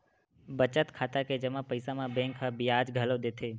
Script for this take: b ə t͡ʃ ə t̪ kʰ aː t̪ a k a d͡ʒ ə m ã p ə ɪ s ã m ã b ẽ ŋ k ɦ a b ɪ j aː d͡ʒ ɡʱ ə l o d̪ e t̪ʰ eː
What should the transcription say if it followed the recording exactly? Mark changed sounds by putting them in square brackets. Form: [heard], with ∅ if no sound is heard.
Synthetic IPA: b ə t͡ʃ ə t̪ kʰ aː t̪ a k [e] d͡ʒ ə m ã p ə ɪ s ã m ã b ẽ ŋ k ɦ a b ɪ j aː d͡ʒ ɡʱ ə l o d̪ e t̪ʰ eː